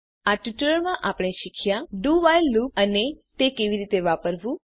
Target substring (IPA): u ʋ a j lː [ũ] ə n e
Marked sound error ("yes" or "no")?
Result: yes